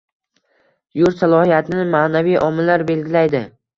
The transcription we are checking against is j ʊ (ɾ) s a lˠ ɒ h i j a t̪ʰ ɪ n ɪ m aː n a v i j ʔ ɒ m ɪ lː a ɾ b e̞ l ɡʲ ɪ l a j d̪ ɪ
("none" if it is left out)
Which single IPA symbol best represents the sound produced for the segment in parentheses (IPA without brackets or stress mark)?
ɾ